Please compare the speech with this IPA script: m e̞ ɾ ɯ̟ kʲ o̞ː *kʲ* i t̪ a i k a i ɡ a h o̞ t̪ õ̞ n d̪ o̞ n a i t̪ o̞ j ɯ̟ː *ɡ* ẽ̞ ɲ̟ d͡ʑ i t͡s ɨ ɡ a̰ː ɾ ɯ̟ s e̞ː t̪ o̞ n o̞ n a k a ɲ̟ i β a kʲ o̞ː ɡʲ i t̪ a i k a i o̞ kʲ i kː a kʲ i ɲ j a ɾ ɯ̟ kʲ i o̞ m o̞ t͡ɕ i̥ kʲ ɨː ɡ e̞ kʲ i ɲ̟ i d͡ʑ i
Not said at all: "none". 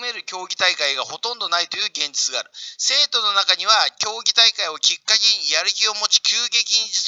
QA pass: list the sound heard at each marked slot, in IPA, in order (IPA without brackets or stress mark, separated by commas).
ɡʲ, ɡ